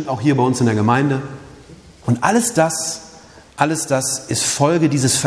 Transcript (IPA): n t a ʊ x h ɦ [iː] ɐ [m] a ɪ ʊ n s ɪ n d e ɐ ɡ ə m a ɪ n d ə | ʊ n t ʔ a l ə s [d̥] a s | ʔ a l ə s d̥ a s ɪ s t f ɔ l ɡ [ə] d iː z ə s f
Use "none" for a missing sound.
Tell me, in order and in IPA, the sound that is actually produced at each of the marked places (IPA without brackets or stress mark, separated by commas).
iː, b, d̥, ə